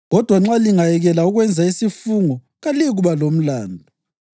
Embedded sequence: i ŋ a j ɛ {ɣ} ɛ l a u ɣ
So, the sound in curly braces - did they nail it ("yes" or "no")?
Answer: yes